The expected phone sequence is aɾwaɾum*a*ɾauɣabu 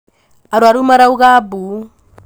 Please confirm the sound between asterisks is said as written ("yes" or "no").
yes